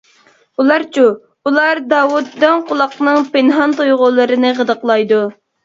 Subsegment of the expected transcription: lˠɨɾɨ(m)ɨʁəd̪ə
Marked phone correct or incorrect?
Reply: incorrect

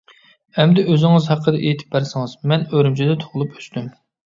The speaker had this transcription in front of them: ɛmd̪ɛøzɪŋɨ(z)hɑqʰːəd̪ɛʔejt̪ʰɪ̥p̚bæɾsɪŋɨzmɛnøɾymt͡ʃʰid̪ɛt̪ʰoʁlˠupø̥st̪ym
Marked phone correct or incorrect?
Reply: correct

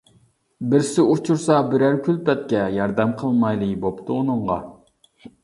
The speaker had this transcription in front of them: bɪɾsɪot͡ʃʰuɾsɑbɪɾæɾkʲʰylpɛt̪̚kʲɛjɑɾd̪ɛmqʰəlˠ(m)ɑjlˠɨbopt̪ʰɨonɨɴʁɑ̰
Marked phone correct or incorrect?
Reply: correct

